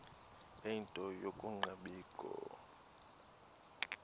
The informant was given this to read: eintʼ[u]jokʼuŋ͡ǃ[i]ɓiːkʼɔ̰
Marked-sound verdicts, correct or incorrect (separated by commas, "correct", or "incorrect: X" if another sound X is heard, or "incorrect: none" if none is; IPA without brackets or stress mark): incorrect: ɔ, incorrect: a